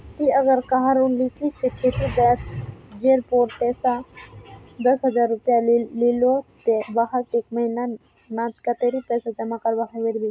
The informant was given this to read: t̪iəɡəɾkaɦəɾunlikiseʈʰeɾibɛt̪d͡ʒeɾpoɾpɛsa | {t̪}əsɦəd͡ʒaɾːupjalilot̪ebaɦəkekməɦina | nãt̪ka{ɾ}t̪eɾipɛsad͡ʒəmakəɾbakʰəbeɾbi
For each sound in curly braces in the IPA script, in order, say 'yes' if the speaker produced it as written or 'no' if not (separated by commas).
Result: no, no